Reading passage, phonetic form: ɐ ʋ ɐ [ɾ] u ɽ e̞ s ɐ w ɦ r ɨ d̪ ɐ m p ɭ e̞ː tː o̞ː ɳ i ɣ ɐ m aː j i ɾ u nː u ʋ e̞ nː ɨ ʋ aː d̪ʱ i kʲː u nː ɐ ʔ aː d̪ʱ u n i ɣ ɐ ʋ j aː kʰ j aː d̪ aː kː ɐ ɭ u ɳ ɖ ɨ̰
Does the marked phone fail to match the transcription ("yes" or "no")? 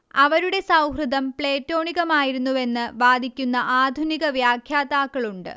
no